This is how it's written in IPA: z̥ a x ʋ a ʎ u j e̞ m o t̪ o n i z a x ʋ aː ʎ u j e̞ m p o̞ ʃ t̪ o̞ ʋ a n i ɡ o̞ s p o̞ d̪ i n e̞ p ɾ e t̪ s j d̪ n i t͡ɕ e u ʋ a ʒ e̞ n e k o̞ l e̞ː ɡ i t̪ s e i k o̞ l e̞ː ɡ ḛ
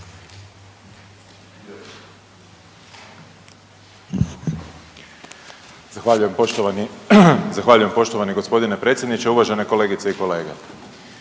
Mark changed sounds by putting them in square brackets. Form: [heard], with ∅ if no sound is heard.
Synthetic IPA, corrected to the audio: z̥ a x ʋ a ʎ u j e̞ m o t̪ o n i z a x ʋ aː ʎ u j e̞ m p o̞ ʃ t̪ o̞ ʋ a n i ɡ o̞ s p o̞ d̪ i n e̞ p ɾ e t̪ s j d̪ n i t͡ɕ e u ʋ a ʒ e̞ n e k o̞ l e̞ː ɡ i t̪ s e i k o̞ l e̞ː ɡ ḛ